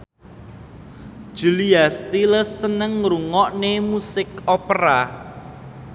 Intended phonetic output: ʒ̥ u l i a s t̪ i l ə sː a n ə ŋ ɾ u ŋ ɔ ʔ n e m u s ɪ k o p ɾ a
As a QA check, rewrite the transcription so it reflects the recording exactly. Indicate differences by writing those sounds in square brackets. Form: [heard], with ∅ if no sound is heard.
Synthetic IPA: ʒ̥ u l i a s t̪ i l ə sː [ə] n ə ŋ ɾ u ŋ ɔ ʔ n e m u s ɪ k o p ɾ a

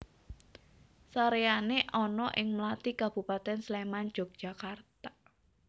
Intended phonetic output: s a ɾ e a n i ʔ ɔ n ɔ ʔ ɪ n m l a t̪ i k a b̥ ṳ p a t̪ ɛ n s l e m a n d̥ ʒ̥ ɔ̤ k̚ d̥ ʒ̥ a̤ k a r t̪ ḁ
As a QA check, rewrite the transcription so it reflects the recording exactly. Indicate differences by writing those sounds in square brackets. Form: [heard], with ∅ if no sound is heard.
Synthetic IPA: s a ɾ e a n [e] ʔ ɔ n ɔ ʔ ɪ [ŋ] m l a t̪ i k a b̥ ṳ p a t̪ ɛ n s l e m a n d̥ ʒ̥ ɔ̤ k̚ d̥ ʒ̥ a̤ k a r t̪ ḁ

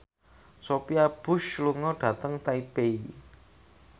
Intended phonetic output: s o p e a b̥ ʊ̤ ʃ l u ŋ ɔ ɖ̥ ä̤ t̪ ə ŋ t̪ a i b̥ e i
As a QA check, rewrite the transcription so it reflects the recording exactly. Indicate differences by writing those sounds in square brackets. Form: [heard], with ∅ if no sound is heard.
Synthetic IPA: s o p [i] a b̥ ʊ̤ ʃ l u ŋ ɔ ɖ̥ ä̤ t̪ ə ŋ t̪ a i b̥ e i

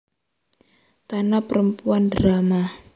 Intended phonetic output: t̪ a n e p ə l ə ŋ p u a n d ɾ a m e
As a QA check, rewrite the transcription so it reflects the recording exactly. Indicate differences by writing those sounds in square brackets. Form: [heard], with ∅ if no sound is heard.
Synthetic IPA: t̪ a n [a] p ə [ɾ] ə [m] p u a n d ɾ a m [a]

